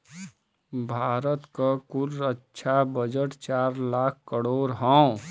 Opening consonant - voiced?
yes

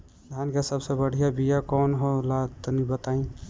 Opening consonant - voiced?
yes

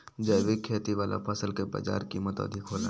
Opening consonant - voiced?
yes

